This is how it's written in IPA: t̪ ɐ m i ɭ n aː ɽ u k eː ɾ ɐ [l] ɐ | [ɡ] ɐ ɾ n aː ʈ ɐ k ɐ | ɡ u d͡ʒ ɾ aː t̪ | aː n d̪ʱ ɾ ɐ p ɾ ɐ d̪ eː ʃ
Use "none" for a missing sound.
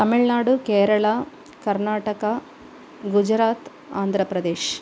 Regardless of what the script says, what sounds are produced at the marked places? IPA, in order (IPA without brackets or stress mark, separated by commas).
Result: ɭ, k